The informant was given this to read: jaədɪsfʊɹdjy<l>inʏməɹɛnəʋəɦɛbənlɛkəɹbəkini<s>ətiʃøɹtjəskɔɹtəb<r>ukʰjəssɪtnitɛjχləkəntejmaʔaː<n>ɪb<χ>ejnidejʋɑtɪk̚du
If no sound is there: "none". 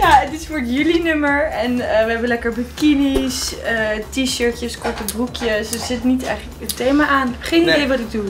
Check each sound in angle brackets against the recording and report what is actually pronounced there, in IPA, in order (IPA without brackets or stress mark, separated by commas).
l, s, r, n, χ